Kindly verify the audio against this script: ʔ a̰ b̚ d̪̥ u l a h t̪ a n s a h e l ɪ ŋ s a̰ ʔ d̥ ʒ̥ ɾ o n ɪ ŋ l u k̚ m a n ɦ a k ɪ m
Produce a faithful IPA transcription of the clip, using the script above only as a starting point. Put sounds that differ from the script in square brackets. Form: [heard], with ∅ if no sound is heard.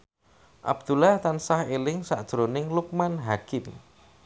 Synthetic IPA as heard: ʔ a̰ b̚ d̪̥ u l a h t̪ a n s a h e l ɪ ŋ s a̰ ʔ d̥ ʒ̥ ɾ o n ɪ ŋ l u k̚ m a n ɦ a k ɪ m

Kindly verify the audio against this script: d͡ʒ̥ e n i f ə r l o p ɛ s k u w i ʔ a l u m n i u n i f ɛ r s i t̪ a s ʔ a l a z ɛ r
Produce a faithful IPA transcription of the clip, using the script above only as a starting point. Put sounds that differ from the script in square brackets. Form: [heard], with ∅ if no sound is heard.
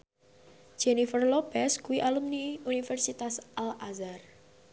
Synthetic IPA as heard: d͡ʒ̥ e n i f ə r l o p ɛ s k u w i ʔ a l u m n i u n i f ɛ r s i t̪ a s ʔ a l a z [a] r

